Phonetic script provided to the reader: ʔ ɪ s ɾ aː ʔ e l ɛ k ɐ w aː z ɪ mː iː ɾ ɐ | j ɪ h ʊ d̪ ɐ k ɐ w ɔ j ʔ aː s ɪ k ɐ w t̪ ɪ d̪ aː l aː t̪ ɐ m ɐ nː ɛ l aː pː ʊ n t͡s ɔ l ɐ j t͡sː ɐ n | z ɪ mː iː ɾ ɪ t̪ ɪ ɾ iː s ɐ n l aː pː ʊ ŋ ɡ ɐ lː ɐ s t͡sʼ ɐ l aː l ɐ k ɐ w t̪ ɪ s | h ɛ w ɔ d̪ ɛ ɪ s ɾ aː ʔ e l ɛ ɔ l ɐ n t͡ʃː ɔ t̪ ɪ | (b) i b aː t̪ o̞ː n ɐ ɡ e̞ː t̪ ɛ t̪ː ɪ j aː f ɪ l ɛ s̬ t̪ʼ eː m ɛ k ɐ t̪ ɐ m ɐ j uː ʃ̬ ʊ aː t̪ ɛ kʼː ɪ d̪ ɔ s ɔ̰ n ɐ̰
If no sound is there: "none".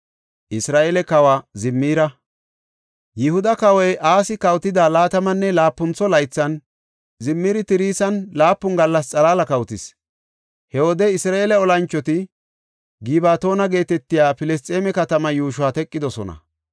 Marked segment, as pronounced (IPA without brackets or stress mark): ɡ